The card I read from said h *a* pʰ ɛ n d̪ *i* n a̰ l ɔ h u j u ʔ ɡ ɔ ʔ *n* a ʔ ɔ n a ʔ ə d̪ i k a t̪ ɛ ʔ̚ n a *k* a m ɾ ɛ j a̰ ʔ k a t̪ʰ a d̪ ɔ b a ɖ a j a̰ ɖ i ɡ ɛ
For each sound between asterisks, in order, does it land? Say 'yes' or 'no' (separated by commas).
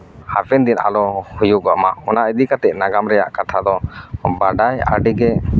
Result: yes, yes, no, no